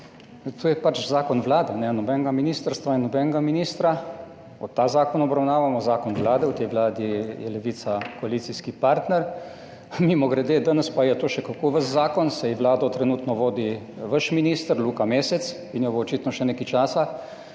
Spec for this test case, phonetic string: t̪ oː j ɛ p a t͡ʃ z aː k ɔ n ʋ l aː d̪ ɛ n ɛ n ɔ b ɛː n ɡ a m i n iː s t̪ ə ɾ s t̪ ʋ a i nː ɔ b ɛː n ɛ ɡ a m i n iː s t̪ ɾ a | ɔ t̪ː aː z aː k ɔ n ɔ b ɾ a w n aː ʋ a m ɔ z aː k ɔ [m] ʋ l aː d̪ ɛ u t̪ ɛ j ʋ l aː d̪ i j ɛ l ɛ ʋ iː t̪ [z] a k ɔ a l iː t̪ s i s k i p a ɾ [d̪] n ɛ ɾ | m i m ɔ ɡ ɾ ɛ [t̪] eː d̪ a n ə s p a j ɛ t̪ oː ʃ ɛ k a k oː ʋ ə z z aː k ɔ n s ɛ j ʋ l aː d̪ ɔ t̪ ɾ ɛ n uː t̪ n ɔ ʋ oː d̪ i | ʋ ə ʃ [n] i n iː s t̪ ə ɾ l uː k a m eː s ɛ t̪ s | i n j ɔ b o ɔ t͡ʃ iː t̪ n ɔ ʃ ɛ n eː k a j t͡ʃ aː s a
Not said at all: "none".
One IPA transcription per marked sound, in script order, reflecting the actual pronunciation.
n, s, t̪, d̪, m

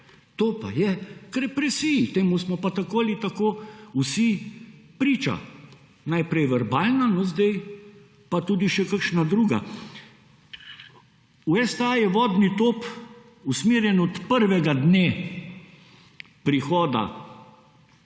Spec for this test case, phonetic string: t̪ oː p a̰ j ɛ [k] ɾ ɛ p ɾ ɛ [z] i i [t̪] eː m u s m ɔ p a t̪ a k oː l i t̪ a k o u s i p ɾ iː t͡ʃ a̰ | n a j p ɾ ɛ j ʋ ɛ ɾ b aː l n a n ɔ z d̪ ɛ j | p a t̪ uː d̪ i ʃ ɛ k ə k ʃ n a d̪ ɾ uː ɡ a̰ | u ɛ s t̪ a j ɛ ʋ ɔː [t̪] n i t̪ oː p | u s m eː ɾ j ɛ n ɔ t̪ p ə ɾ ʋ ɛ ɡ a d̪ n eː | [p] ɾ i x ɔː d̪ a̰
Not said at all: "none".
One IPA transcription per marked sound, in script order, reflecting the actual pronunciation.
k, s, t̪, d̪, p

